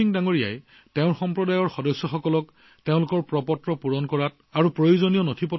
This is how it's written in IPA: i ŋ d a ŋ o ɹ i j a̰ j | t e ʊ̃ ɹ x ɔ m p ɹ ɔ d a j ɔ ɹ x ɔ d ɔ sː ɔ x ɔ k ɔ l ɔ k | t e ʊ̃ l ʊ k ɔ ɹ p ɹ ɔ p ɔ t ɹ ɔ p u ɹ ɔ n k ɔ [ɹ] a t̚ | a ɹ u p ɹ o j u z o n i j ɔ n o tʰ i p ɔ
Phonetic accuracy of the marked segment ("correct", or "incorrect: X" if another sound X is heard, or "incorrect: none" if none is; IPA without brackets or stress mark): correct